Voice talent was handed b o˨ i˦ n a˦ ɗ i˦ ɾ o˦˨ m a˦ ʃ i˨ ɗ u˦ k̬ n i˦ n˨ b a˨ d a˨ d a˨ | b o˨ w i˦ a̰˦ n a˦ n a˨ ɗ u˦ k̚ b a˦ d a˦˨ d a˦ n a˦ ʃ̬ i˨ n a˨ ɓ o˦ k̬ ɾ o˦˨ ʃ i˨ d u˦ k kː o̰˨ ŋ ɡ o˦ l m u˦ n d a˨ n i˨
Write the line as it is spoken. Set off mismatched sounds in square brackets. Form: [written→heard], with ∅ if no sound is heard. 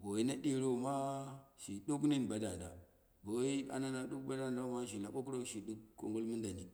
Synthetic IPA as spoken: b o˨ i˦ n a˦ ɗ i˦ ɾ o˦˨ m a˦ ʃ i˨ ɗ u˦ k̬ n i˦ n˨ b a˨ d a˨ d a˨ | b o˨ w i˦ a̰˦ n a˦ n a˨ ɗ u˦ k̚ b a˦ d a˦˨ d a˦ [n→m] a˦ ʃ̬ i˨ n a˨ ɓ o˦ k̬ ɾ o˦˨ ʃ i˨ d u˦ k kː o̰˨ ŋ ɡ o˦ l m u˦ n d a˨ n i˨

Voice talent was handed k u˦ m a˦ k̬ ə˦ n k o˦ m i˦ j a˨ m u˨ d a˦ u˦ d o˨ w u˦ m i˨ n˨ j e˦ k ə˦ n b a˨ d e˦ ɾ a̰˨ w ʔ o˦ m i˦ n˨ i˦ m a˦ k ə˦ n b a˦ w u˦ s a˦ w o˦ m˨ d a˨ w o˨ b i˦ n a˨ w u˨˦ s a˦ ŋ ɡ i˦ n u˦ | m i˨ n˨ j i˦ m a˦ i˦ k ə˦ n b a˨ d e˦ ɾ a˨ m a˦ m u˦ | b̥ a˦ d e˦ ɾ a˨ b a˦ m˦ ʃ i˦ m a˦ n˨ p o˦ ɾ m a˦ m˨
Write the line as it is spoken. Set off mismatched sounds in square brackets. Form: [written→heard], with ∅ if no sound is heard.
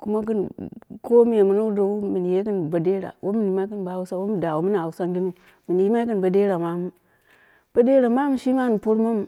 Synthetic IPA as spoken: k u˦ m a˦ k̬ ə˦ n k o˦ m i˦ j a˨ m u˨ [d→n] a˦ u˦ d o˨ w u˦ m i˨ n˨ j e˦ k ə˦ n b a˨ d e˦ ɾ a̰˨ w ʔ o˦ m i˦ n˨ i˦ m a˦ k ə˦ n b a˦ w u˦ s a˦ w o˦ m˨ d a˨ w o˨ [b→m] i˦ n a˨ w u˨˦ s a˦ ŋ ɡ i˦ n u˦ | m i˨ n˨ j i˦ m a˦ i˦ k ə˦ n b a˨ d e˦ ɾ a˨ m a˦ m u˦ | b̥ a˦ d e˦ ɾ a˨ [b→m] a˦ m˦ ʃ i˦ m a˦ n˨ p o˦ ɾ m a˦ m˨

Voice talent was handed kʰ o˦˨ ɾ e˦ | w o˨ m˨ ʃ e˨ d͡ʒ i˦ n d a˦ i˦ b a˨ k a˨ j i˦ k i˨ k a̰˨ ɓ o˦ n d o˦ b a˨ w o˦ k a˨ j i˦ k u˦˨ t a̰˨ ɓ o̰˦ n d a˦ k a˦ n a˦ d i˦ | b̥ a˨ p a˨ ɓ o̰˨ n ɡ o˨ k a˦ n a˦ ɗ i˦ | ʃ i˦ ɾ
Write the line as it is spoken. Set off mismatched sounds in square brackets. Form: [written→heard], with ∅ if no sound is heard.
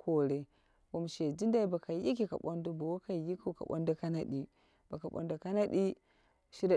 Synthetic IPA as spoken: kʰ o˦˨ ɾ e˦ | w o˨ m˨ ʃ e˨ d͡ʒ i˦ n d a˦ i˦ b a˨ k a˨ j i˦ k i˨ k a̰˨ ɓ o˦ n d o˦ b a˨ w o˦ k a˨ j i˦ k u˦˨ [t→k] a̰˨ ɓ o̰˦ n d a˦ k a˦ n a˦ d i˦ | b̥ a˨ [p→k] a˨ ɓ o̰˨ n [ɡ→d] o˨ k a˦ n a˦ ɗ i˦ | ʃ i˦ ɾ

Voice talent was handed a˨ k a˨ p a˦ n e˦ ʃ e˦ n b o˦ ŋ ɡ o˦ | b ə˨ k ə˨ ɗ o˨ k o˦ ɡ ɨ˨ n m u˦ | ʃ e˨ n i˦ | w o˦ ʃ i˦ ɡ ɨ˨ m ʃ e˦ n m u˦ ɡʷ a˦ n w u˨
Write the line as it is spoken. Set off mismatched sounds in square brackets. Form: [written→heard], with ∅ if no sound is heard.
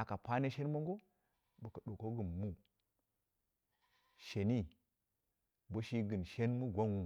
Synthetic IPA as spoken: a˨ k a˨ p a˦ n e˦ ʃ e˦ n [b→m] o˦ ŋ ɡ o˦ | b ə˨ k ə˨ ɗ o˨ k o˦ ɡ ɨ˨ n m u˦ | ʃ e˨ n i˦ | [w→b] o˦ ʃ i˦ ɡ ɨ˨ [m→n] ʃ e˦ n m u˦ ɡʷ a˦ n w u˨

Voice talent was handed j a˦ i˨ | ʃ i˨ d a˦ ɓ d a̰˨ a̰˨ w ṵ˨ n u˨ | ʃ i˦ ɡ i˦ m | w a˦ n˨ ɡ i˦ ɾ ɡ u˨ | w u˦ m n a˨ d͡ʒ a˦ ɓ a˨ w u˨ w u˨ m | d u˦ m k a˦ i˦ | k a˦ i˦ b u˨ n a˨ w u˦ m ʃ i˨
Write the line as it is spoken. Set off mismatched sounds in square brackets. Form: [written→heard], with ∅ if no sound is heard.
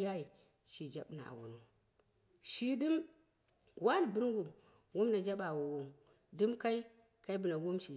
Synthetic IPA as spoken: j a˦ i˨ | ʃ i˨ [d→d͡ʒ] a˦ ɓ [d→n] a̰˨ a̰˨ w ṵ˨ n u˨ | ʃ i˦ [ɡ→d] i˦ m | w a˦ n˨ [ɡ→b] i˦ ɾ ɡ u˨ | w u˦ m n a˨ d͡ʒ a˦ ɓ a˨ w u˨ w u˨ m | d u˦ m k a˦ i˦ | k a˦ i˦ b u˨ n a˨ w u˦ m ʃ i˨

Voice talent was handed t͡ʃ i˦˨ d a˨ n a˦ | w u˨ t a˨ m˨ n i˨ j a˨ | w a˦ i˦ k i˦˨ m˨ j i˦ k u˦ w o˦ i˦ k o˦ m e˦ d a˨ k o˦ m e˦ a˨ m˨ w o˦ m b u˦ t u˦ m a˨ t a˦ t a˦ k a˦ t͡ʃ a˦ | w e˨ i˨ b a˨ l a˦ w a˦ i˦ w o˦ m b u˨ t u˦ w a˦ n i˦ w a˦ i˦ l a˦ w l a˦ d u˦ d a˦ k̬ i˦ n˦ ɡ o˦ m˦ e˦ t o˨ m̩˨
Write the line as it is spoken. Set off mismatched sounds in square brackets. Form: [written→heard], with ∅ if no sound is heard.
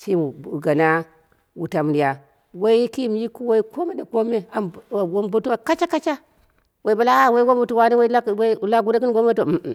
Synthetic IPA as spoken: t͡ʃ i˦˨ [d→ɡ] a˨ n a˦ | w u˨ t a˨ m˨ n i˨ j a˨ | w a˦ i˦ k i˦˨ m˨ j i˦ k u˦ w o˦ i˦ k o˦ m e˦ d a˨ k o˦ m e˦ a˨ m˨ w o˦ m b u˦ t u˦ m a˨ [t→k] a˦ [t→t͡ʃ] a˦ k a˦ t͡ʃ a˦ | w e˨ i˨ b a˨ l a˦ w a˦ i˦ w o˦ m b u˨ t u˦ w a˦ n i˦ w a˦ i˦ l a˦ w l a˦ [d→ɡ] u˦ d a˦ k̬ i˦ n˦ ɡ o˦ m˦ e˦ t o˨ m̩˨

